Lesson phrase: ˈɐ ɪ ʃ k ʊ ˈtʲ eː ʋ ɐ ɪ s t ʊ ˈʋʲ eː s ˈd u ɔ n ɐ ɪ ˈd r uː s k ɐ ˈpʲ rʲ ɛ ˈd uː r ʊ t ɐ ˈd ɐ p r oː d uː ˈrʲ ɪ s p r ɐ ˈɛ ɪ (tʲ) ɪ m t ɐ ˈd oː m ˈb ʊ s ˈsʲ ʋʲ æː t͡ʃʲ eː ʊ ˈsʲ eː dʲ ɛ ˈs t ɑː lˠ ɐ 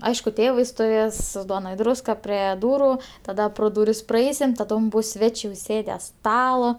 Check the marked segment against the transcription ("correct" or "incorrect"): incorrect